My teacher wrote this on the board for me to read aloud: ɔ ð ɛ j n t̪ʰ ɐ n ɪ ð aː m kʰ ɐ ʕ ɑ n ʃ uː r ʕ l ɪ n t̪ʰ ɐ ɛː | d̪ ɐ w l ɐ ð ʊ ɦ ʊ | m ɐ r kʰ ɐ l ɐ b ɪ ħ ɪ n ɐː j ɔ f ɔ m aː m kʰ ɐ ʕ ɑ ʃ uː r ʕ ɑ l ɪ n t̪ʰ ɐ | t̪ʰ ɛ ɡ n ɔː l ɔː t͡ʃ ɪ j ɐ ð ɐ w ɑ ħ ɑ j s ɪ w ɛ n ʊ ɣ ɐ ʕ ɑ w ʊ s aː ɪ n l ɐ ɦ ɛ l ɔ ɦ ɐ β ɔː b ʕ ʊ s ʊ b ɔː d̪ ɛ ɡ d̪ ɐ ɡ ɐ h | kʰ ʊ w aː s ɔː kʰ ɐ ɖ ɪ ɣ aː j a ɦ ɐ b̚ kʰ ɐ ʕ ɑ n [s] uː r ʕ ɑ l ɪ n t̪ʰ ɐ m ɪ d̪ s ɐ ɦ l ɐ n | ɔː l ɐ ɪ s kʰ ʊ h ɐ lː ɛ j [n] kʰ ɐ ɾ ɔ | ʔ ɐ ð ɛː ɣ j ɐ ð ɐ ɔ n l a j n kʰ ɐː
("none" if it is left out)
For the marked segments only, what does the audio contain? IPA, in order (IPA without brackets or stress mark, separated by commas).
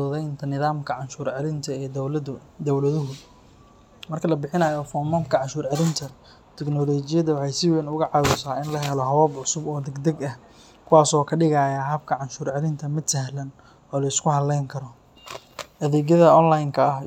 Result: ʃ, ŋ